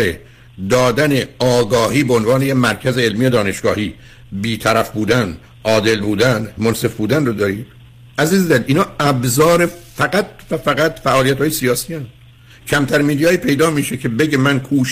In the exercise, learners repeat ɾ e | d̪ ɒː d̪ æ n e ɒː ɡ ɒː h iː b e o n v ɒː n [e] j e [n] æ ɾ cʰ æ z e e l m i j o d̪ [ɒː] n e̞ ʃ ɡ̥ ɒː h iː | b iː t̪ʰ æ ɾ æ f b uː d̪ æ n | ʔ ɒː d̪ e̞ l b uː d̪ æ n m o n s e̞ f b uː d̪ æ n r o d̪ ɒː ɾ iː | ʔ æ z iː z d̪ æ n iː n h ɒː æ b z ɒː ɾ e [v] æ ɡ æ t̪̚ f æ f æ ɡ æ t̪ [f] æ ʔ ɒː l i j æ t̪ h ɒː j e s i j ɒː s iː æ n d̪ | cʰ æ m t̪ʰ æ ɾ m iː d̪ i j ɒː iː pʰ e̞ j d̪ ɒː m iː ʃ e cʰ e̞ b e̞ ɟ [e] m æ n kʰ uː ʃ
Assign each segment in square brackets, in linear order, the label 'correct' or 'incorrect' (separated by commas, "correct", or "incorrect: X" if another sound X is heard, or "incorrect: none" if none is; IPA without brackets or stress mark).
correct, incorrect: m, correct, incorrect: f, correct, correct